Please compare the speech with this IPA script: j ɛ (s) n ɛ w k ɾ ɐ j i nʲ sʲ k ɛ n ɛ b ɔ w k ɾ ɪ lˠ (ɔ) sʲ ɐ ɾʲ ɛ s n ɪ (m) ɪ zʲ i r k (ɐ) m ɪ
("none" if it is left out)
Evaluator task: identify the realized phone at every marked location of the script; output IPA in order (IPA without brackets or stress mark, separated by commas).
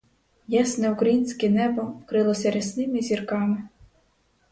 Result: s, ɔ, m, ɑ